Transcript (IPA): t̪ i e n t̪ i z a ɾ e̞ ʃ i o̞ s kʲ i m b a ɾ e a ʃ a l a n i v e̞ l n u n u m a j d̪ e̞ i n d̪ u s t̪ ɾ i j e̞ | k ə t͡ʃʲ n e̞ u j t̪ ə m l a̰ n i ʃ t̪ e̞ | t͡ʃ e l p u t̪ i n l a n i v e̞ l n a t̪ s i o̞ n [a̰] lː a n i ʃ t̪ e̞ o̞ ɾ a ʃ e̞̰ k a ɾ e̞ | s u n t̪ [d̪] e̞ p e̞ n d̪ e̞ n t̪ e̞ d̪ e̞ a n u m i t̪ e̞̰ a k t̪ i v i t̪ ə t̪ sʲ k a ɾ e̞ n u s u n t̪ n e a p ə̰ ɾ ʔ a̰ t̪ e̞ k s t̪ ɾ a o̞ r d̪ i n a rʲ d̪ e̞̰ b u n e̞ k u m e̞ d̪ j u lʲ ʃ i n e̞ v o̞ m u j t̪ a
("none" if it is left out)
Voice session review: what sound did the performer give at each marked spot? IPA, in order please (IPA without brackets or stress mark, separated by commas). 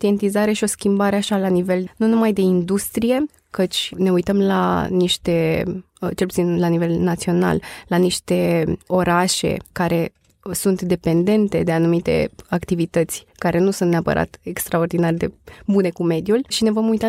a̰, d̪